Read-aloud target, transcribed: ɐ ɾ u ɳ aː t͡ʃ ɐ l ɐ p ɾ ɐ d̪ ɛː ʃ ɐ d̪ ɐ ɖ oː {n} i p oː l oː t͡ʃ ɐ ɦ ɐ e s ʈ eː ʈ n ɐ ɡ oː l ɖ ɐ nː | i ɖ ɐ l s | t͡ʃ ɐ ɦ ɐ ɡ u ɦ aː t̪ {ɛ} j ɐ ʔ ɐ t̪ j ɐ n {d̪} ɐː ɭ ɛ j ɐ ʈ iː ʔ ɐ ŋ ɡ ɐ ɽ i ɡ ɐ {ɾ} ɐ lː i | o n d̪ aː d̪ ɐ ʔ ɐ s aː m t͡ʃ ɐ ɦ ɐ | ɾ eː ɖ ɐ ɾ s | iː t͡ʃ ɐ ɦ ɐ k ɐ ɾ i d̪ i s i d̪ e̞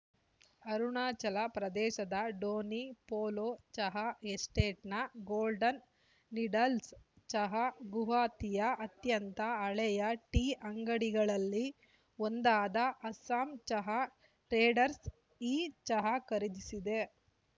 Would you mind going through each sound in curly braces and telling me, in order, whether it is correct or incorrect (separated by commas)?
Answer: correct, incorrect, incorrect, incorrect